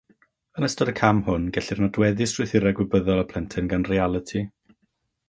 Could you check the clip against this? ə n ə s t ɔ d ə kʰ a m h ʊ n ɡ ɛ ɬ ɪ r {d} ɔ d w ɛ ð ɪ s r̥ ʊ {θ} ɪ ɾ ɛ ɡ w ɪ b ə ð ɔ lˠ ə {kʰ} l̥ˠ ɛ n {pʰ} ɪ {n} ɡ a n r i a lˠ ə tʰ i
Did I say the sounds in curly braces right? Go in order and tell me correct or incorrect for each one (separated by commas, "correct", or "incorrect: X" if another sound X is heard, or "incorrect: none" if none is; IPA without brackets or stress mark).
incorrect: n, correct, incorrect: pʰ, incorrect: tʰ, correct